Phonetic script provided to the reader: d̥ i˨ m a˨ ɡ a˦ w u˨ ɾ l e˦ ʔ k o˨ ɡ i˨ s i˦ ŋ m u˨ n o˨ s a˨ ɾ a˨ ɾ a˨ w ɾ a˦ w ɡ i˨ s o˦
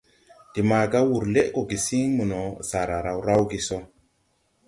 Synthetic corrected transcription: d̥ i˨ m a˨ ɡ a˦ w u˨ ɾ l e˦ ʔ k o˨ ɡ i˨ s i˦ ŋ m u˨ n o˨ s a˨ ɾ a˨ ɾ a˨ w ɾ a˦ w ɡ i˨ s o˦